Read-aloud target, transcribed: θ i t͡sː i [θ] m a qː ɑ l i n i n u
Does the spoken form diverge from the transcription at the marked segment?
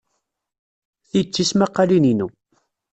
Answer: yes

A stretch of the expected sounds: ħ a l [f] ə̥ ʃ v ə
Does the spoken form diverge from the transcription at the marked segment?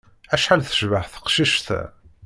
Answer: yes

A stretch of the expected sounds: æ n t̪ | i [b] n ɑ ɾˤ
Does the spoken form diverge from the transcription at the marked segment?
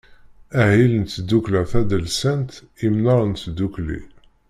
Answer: yes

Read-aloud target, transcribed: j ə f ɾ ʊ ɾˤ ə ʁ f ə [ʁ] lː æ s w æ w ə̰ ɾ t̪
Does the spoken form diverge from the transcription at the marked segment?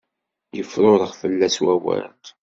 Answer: yes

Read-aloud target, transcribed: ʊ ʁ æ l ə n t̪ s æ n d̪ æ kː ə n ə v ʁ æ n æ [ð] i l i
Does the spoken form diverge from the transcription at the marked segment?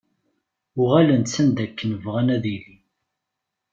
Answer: no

